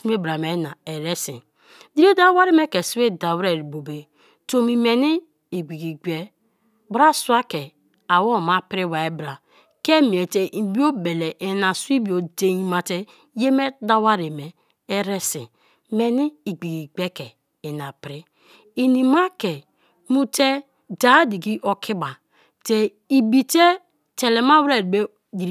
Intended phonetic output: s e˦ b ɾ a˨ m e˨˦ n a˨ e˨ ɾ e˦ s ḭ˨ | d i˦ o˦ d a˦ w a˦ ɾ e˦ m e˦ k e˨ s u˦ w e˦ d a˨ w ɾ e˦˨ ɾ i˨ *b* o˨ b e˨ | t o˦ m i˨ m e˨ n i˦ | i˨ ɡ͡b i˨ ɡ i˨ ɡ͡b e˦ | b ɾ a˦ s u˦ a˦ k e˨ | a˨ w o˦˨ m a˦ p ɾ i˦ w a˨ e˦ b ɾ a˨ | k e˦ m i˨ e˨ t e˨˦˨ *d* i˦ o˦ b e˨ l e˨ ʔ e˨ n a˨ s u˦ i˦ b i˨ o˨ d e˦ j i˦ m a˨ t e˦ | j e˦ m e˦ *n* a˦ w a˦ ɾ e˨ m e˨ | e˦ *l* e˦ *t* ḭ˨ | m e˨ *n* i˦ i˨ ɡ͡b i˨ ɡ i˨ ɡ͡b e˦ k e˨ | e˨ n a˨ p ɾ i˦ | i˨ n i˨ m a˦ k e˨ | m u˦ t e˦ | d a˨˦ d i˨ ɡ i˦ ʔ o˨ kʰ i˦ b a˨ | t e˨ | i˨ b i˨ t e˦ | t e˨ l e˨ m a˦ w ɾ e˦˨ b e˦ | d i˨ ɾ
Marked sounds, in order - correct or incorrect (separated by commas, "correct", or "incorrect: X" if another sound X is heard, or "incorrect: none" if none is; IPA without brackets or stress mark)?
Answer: correct, incorrect: b, incorrect: d, incorrect: ɾ, incorrect: s, correct